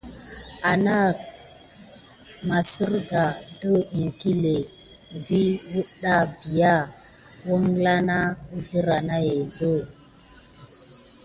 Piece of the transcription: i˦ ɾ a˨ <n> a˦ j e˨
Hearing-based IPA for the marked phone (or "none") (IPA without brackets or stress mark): n